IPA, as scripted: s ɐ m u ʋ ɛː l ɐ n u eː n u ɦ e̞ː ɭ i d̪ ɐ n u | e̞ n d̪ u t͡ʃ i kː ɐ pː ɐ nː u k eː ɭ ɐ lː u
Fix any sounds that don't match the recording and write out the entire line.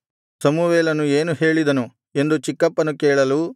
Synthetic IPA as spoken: s ɐ m u ʋ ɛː l ɐ n u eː n u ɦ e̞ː ɭ i d̪ ɐ n u | e̞ n d̪ u t͡ʃ i kː ɐ pː ɐ n u k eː ɭ ɐ l u